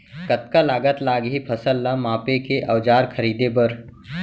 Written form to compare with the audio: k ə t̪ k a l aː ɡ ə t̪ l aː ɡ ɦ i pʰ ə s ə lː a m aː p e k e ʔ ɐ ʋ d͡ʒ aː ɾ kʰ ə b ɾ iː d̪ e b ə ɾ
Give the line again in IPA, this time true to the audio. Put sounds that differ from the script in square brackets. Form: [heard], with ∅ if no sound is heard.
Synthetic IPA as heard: k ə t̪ k a l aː ɡ ə t̪ l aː ɡ ɦ i pʰ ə s ə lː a m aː p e k e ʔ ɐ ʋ d͡ʒ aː ɾ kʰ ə [∅] ɾ iː d̪ e b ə ɾ